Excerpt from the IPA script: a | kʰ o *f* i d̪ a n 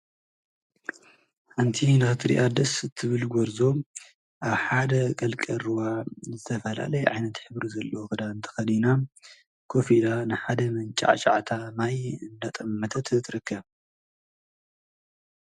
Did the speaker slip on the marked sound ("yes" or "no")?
no